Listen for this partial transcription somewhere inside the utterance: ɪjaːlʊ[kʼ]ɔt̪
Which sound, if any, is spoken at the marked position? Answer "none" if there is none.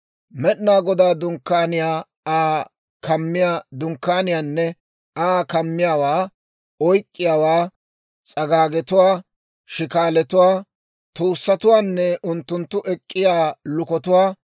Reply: k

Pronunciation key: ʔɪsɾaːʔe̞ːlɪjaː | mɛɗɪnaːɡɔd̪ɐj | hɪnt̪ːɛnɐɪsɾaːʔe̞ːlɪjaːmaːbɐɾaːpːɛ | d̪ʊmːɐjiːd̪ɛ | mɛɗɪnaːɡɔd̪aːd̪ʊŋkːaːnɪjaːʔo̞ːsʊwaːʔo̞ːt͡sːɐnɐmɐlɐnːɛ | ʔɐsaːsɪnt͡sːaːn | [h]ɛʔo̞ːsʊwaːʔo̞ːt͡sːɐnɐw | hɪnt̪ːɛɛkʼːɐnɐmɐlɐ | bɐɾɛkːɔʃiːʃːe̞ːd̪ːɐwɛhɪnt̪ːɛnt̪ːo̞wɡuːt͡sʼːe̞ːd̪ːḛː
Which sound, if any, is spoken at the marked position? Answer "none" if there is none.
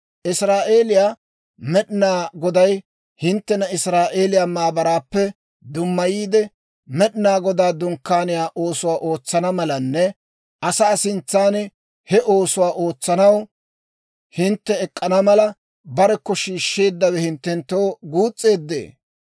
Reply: h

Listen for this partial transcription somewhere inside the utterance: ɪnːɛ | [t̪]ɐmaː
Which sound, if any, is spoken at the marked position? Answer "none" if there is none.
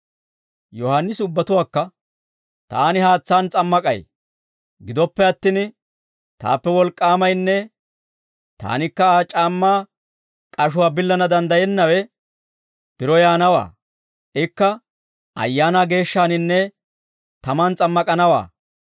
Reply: t̪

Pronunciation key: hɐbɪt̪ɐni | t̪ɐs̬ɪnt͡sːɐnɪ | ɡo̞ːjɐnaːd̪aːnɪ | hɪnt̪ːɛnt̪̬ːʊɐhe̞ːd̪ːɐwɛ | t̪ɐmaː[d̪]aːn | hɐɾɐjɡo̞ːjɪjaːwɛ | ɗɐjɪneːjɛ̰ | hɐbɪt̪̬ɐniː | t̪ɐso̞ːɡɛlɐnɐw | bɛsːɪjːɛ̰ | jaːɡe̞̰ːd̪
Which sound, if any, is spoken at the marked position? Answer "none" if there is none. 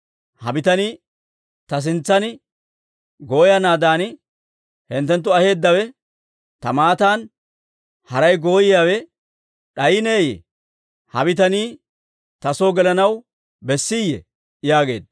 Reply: t̪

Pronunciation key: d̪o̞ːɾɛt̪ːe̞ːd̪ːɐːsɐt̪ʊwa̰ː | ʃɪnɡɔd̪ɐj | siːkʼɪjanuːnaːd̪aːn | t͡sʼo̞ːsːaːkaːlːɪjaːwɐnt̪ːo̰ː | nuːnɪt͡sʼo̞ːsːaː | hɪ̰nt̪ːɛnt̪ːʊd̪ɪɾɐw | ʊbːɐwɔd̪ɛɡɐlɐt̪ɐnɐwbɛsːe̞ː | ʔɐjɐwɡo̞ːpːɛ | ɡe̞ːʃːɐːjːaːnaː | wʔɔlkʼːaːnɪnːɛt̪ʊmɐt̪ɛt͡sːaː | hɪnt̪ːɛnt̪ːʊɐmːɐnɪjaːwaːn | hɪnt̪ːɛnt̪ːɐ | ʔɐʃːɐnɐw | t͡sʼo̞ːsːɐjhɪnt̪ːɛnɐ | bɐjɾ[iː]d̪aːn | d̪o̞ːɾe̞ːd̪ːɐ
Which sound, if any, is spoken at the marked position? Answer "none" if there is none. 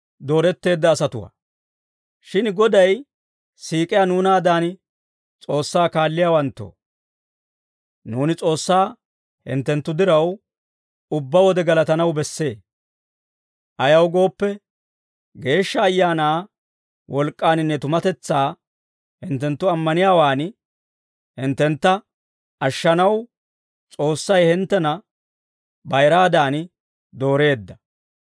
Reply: aː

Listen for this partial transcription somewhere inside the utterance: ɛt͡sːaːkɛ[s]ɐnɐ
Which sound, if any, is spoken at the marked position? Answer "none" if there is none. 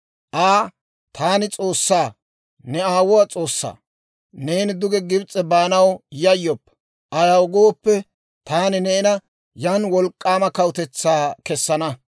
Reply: sː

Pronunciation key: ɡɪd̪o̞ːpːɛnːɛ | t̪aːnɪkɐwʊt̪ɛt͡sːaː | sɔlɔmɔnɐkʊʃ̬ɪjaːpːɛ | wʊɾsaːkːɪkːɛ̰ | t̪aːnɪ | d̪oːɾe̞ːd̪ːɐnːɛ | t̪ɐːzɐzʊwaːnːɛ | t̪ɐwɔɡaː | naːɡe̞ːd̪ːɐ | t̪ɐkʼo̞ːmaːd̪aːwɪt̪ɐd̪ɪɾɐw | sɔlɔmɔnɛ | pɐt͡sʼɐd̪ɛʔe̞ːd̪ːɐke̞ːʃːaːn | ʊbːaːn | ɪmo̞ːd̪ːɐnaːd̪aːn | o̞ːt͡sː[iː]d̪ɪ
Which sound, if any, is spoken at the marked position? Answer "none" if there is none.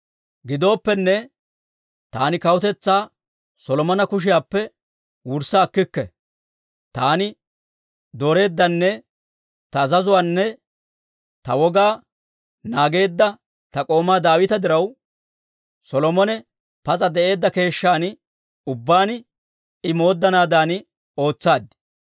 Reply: aː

